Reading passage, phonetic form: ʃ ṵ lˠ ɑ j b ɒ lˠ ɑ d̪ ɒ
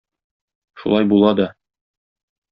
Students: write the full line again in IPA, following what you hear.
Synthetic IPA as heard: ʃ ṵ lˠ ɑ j b u lˠ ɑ d̪ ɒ